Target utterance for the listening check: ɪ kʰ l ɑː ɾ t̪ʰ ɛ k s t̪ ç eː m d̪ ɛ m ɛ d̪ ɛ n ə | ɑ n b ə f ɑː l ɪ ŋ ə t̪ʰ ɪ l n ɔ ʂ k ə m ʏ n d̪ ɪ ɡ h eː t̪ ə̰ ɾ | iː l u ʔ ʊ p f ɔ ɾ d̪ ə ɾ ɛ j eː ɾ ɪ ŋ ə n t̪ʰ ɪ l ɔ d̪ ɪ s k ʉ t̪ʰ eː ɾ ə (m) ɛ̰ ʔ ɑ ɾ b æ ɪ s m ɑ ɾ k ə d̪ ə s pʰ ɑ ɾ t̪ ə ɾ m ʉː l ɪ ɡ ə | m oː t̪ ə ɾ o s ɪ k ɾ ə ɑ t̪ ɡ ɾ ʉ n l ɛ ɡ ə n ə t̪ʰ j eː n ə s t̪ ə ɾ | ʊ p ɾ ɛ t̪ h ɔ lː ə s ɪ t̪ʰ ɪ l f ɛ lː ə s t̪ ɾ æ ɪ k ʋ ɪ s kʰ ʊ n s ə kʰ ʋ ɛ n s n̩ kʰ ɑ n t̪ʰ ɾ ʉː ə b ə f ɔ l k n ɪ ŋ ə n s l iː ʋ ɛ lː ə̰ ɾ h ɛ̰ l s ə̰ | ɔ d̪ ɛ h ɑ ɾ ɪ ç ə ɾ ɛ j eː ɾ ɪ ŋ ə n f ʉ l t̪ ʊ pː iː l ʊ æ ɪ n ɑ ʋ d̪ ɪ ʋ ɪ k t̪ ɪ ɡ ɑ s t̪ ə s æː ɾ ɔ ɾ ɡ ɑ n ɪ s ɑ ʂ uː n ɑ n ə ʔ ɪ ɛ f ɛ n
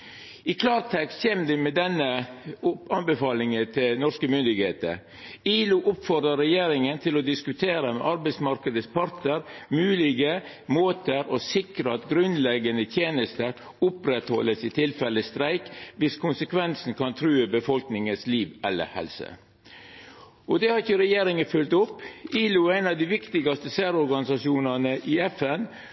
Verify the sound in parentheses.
correct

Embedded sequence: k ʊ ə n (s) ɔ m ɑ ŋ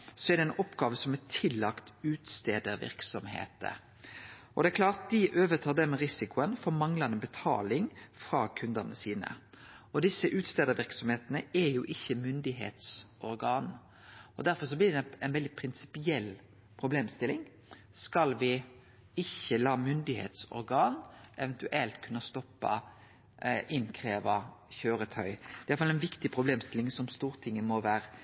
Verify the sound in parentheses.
incorrect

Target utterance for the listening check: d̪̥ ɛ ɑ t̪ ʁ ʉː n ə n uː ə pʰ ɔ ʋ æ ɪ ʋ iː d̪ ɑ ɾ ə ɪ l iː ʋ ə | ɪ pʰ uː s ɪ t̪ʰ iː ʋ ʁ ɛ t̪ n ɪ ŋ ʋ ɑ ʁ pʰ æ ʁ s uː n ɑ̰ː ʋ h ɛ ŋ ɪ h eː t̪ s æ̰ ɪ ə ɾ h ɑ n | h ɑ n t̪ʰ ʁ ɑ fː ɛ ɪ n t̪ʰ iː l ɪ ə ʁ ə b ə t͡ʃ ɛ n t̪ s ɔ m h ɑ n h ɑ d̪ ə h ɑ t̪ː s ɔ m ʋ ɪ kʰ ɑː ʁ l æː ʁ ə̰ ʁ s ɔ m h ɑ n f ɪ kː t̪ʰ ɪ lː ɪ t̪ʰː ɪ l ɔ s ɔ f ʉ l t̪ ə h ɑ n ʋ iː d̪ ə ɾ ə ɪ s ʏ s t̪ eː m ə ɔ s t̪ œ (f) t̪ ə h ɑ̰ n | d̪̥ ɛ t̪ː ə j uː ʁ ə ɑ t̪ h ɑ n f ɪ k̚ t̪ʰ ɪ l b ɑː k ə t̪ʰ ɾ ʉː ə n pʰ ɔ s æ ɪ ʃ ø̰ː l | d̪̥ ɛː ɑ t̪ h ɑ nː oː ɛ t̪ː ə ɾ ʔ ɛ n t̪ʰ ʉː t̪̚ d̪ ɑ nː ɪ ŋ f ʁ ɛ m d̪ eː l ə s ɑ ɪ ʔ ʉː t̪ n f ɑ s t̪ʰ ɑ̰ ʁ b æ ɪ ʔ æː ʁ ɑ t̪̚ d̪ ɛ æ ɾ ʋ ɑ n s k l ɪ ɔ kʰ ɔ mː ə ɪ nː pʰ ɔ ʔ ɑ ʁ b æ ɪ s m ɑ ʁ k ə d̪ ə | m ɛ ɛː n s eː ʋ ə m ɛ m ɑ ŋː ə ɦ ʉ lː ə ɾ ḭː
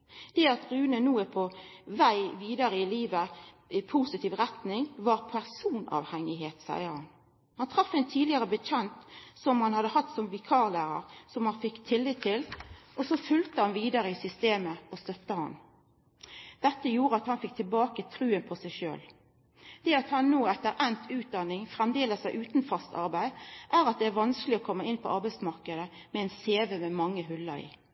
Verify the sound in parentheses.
correct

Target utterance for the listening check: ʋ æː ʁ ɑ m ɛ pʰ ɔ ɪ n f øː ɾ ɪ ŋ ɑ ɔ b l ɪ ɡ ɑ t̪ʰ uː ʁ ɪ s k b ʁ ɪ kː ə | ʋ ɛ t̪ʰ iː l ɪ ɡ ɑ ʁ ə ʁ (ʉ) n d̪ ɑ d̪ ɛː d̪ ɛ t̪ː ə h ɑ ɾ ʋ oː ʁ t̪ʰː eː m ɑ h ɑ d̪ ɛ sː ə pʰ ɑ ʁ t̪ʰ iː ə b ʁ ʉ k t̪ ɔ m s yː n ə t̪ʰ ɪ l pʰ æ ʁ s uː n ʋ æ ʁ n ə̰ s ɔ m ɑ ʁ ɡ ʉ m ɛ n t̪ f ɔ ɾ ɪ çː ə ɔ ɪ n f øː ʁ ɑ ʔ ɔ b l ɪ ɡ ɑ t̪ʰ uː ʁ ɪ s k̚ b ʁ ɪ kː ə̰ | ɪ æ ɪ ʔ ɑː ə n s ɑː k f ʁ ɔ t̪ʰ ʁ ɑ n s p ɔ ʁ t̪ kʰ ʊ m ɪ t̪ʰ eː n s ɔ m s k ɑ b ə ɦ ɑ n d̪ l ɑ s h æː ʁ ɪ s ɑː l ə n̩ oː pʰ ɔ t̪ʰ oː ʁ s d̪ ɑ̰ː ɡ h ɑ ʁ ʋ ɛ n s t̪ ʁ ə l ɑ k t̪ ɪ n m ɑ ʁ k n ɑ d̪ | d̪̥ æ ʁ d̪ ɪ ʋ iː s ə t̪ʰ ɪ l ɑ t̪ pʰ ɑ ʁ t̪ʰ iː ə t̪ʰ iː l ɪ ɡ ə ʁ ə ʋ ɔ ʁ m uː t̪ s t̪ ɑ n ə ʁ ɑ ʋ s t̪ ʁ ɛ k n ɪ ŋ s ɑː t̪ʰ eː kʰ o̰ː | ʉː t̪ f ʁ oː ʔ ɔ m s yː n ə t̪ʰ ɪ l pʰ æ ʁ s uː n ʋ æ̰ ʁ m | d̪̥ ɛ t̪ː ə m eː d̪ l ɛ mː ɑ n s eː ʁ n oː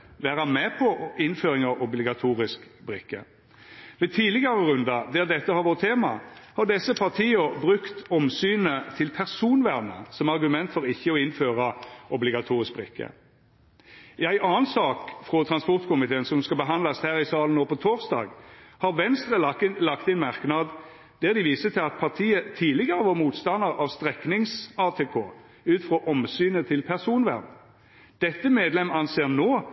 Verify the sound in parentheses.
correct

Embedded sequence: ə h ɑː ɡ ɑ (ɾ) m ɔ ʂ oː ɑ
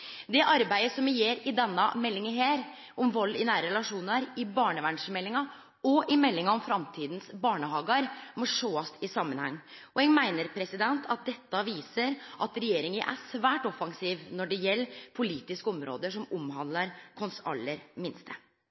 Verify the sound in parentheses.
correct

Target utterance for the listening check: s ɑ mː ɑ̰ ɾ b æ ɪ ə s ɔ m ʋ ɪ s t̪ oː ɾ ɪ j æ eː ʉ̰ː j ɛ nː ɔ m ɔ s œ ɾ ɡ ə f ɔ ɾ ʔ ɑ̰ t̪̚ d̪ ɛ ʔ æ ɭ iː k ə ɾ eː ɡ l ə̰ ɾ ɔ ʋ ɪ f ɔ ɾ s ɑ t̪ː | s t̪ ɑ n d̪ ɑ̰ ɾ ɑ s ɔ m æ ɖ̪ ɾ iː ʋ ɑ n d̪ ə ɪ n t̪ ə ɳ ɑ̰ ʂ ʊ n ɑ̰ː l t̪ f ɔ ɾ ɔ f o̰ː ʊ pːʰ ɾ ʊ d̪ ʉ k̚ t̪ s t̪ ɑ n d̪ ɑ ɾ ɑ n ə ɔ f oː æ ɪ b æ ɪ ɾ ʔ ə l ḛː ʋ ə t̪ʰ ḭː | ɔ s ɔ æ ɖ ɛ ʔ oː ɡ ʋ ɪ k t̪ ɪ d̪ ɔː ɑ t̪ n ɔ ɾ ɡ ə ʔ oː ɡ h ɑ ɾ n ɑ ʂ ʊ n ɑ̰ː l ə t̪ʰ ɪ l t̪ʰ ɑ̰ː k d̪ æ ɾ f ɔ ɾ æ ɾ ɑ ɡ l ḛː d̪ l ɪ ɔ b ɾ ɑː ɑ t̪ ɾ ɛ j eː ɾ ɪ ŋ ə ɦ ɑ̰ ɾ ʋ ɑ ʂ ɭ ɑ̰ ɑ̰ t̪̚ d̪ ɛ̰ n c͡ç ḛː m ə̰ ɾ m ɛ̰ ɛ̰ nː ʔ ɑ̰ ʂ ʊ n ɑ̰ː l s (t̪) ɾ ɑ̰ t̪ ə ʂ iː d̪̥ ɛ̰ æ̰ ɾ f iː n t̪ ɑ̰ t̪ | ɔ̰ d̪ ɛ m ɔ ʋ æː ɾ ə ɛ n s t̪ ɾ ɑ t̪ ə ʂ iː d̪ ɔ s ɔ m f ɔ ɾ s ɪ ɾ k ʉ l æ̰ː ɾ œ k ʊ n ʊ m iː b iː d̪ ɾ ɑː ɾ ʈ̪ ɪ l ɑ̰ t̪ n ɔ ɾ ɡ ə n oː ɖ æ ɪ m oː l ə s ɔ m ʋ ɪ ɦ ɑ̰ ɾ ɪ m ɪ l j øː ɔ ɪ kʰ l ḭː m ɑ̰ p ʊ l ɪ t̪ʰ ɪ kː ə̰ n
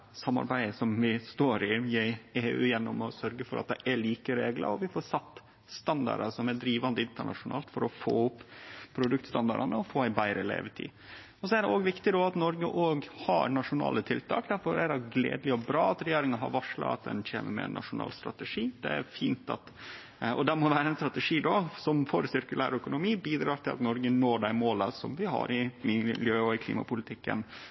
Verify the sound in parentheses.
correct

